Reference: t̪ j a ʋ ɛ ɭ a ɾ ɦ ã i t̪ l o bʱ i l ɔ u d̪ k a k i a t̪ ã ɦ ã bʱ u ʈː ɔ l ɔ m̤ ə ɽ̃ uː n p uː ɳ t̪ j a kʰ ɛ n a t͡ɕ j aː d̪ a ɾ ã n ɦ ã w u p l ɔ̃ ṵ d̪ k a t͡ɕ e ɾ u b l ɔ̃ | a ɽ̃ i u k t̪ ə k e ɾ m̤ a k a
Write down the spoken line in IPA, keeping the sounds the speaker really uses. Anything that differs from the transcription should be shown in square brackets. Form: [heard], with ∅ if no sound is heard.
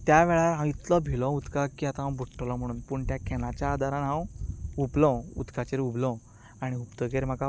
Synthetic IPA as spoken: t̪ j a ʋ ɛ ɭ a ɾ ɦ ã i t̪ l [ɔ] bʱ i l ɔ u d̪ k a k i a t̪ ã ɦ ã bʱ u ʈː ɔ l ɔ m̤ ə ɽ̃ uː n p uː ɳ t̪ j a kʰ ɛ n a t͡ɕ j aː d̪ a ɾ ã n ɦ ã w u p l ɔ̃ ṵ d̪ k a t͡ɕ e ɾ u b l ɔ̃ | a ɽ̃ i u [p] t̪ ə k e ɾ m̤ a k a